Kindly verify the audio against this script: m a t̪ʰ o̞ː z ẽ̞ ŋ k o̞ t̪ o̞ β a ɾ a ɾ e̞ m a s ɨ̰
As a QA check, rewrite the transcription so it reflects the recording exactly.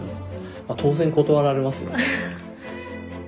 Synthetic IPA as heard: m a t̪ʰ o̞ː z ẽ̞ ŋ k o̞ t̪ o̞ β a ɾ a ɾ e̞ m a s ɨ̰